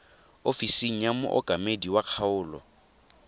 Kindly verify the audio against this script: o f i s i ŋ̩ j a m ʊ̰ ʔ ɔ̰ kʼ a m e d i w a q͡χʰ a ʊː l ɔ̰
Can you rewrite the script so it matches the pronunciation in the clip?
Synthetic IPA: o f i s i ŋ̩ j a m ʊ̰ ʔ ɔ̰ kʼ a m e d i w a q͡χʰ a ʊː l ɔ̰